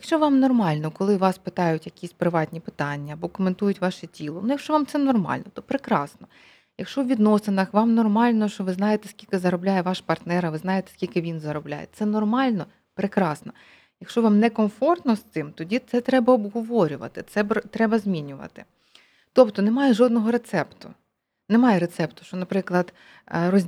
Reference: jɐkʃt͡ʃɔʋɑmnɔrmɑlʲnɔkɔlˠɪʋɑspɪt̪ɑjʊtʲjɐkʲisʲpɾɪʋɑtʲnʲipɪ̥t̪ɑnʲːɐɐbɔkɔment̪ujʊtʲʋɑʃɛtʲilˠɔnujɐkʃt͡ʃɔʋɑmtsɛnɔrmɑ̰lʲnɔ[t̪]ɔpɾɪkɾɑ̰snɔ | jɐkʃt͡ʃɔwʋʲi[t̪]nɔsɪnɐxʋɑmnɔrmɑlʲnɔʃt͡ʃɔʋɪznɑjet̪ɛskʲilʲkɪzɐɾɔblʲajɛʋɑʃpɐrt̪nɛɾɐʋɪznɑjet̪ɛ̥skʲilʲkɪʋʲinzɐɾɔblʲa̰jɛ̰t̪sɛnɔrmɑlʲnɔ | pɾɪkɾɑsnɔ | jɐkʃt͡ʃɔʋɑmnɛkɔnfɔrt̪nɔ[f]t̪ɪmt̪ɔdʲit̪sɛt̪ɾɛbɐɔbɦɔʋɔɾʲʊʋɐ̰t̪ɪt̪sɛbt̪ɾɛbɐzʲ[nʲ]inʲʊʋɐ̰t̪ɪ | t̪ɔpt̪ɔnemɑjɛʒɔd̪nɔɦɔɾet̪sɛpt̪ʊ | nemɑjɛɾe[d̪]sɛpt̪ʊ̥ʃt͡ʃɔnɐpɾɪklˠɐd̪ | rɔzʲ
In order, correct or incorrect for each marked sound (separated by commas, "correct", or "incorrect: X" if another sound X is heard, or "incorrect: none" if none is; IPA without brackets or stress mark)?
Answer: correct, incorrect: d̪, incorrect: s, incorrect: mʲ, incorrect: t̪